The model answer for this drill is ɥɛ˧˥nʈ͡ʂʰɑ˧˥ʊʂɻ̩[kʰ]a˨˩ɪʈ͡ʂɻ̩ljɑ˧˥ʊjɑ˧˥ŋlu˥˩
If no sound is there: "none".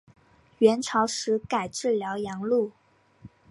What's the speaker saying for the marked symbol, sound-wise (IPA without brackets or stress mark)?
k